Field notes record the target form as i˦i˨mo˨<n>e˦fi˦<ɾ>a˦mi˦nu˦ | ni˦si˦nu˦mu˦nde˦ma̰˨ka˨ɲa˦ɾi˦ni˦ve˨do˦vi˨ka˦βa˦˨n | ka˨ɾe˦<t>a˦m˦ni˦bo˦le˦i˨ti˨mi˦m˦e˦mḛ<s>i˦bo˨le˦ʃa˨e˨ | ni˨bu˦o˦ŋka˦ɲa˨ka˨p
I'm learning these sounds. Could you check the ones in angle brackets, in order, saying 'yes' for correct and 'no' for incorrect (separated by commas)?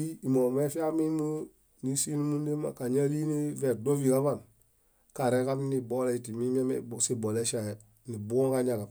no, no, no, yes